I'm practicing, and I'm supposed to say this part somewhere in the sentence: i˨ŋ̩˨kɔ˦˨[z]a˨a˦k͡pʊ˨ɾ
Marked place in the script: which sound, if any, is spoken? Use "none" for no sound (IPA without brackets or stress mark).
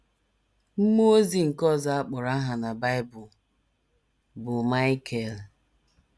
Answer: z